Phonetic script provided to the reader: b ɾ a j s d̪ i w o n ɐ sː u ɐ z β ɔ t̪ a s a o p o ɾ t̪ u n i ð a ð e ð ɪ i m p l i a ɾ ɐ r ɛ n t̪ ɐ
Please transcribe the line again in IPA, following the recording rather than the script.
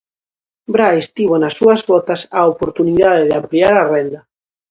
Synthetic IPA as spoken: b ɾ a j s t̪ i β o n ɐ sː u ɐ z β ɔ t̪ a s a o p o ɾ t̪ u n i ð a ð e ð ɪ a m p l i a ɾ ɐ r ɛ n d̪ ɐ